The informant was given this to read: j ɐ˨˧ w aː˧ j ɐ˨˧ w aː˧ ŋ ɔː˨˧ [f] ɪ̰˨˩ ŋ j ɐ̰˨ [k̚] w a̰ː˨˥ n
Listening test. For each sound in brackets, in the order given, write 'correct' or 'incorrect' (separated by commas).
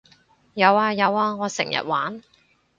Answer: incorrect, incorrect